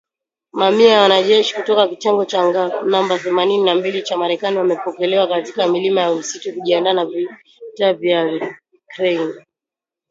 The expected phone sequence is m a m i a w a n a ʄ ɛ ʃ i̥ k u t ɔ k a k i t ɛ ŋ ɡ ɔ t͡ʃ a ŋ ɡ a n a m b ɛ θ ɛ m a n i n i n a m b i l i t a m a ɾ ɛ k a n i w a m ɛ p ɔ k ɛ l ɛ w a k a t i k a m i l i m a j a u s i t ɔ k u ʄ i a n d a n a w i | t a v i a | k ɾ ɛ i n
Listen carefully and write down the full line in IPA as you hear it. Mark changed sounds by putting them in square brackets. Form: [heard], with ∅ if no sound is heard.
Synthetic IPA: m a m i a w a n a ʄ ɛ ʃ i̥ k u t ɔ k a k i t ɛ ŋ ɡ ɔ t͡ʃ a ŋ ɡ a n a m b [a] θ ɛ m a n i n i n a m b i l i [t͡ʃ] a m a ɾ ɛ k a n i w a m ɛ p ɔ k ɛ l ɛ w a k a t i k a m i l i m a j a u s i t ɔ k u ʄ i a n d a n a [v] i | t a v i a | k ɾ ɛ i n